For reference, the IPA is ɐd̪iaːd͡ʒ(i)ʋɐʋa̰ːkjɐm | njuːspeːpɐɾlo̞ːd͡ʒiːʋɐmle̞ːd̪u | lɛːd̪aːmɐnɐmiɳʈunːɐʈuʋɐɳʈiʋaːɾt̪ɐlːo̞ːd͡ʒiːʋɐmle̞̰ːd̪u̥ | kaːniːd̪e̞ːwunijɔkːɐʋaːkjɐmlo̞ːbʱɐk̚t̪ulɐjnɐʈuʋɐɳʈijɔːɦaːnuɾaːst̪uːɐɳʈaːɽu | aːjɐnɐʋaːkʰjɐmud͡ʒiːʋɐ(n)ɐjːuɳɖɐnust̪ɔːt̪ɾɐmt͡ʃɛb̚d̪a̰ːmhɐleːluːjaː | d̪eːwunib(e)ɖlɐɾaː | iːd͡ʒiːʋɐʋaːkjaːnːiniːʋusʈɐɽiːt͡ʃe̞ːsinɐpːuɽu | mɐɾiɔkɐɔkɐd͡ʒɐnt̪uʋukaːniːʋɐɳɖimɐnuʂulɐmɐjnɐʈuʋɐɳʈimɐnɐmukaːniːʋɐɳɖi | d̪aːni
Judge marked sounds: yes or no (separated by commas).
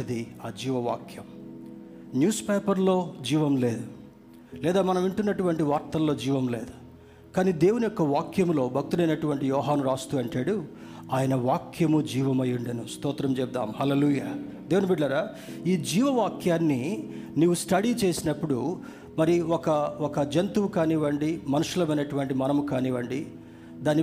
no, no, no